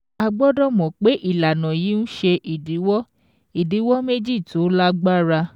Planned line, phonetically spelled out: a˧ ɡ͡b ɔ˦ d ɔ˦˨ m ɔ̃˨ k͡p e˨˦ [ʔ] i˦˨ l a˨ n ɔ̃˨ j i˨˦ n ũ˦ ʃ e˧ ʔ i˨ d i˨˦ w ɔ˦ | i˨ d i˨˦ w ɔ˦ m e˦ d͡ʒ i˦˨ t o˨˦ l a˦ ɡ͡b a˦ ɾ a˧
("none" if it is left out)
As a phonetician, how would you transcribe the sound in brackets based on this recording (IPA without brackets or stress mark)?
ʔ